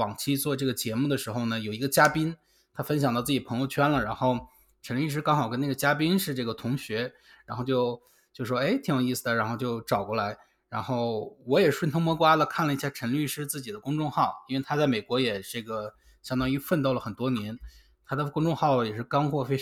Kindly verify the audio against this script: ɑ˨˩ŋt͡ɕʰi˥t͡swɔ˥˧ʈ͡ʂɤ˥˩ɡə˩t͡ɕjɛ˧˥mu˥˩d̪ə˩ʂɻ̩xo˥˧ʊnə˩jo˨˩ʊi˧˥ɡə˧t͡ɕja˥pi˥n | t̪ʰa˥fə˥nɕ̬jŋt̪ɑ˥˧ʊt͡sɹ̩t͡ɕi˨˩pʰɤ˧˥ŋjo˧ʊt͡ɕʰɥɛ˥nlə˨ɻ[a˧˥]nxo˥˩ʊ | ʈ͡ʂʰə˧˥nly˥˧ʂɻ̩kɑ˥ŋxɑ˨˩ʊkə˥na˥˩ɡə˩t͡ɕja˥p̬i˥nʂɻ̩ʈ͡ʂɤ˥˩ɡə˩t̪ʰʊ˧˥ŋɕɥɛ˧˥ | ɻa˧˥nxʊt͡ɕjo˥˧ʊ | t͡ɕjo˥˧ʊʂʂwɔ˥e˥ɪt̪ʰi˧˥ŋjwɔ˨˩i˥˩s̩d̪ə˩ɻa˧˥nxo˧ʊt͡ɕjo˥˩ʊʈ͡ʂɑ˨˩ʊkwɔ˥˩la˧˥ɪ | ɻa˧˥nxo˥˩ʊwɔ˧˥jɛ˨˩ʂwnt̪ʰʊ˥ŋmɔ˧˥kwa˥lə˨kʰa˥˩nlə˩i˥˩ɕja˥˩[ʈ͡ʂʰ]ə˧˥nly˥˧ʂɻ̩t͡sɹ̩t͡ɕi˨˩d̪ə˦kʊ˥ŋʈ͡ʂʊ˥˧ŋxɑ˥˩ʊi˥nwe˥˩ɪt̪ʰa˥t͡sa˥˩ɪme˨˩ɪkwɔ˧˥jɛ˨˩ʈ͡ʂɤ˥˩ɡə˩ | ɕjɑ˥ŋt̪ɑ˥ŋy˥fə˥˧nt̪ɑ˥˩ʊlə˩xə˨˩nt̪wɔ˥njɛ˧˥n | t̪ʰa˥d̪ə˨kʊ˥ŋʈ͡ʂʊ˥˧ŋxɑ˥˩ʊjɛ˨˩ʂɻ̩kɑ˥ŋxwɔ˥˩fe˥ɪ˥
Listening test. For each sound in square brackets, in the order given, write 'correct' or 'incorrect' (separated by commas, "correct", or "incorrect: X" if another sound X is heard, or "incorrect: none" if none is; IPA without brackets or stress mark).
correct, correct